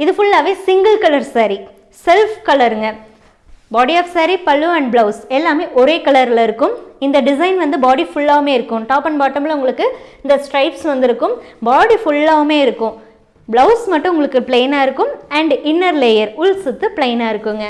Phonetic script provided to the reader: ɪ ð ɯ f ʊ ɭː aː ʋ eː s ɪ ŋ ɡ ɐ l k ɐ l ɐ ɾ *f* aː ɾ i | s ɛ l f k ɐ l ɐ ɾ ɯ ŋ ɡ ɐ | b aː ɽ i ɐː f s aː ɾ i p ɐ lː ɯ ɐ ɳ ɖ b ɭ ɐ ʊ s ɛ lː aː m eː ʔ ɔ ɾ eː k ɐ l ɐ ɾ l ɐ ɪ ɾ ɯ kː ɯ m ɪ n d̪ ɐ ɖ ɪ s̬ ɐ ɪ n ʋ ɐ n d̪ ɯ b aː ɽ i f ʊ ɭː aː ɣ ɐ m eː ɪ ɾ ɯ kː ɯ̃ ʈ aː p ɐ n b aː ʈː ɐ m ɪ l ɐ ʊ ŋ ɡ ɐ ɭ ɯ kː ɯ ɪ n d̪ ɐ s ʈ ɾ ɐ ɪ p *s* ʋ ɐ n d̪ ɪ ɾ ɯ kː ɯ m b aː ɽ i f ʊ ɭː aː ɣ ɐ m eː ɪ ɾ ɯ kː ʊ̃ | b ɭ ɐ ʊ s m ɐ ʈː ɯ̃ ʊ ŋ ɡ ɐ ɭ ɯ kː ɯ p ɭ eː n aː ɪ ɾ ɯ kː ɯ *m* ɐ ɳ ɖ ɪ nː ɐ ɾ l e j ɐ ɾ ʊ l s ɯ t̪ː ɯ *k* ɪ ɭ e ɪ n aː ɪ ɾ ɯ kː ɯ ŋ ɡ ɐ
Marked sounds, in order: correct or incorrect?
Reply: incorrect, correct, correct, incorrect

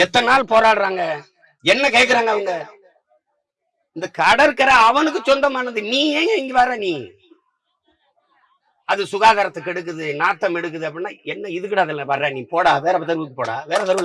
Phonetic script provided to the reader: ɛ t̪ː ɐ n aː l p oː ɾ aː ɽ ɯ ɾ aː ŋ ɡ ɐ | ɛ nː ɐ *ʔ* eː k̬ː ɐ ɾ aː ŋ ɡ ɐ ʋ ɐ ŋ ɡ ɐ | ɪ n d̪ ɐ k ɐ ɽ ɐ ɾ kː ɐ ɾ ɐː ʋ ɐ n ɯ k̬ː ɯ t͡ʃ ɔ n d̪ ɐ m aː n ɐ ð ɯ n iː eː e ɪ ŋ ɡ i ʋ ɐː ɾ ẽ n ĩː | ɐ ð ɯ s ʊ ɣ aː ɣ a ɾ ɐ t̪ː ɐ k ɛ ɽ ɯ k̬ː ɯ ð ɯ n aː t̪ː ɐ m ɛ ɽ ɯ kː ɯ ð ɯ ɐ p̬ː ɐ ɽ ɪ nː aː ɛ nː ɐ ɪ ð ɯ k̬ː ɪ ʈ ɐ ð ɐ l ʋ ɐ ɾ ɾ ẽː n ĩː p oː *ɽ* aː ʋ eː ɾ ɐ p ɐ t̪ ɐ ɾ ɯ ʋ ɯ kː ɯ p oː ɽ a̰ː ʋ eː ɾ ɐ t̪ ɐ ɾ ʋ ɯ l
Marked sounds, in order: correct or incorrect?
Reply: incorrect, correct

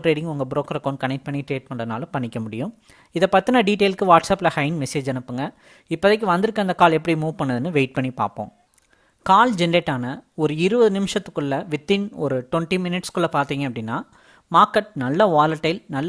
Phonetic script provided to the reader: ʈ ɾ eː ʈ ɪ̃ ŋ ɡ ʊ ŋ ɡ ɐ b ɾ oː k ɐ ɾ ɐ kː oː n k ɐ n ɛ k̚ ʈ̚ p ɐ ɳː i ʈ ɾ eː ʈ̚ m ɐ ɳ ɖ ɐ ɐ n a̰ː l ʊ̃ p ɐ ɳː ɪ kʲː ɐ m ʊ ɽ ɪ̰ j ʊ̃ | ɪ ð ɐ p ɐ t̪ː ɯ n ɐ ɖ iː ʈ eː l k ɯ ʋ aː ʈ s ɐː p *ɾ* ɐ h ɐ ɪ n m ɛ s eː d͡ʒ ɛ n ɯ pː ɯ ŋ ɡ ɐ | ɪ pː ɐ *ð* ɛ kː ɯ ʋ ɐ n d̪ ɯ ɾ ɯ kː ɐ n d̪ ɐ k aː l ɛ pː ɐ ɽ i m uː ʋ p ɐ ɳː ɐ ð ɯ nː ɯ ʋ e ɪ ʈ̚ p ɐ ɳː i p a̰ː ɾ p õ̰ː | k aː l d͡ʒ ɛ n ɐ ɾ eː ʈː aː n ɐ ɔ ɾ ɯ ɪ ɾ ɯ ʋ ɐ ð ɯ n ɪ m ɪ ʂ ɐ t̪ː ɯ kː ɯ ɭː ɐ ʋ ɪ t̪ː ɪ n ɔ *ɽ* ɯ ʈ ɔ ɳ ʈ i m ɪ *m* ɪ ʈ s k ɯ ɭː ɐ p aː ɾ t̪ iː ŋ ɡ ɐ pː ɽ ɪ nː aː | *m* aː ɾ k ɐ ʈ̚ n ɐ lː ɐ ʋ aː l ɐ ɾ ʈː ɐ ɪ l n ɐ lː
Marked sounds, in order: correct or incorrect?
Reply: incorrect, correct, incorrect, incorrect, correct

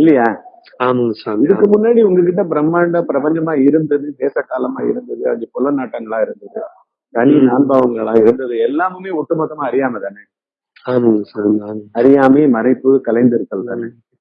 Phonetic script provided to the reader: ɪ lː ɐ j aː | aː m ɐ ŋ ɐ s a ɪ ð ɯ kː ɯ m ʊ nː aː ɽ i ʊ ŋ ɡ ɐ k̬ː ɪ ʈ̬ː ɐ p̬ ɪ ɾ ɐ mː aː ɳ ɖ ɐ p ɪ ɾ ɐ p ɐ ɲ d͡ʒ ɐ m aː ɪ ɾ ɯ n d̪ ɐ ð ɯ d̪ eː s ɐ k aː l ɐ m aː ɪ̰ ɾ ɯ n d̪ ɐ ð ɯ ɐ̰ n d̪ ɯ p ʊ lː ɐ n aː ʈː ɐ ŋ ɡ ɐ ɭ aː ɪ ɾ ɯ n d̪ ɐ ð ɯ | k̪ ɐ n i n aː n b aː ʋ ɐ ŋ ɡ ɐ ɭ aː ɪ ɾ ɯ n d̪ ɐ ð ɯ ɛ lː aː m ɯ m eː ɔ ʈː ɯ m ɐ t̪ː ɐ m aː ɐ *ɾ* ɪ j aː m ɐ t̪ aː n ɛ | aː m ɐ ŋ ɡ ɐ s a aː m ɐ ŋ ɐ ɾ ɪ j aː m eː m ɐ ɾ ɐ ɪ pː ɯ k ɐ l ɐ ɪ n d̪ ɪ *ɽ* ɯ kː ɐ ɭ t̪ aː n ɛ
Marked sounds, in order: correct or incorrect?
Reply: correct, incorrect

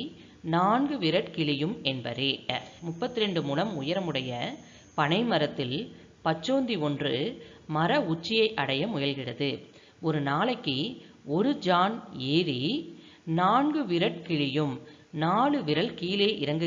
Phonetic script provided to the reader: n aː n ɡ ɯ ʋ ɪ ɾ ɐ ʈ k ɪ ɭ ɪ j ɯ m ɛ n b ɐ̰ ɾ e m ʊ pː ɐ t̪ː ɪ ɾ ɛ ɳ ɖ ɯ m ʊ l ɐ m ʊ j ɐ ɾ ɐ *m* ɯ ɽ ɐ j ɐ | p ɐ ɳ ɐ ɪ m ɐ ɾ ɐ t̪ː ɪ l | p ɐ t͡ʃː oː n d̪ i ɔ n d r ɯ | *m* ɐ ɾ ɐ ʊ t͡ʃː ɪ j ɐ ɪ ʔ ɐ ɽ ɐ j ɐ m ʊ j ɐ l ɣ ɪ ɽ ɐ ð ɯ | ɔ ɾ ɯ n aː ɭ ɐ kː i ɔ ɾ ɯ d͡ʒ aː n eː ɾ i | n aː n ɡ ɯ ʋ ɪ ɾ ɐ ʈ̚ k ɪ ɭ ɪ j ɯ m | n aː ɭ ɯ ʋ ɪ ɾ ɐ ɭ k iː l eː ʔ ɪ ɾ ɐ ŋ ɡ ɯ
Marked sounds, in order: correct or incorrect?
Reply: correct, correct

